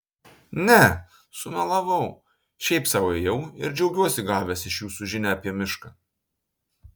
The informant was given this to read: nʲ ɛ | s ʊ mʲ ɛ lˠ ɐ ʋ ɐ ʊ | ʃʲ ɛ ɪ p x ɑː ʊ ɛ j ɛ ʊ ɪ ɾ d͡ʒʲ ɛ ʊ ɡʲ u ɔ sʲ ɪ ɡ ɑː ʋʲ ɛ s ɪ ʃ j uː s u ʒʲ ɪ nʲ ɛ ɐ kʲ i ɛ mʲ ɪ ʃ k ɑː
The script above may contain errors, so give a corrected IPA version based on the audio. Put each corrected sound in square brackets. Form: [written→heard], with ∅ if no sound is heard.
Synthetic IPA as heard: nʲ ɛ | s ʊ mʲ ɛ lˠ ɐ ʋ ɐ ʊ | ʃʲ ɛ ɪ p [x→s] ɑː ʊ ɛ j ɛ ʊ ɪ ɾ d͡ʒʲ ɛ ʊ ɡʲ u ɔ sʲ ɪ ɡ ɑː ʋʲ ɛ s ɪ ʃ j uː s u ʒʲ ɪ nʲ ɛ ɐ [kʲ→pʲ] i ɛ mʲ ɪ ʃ k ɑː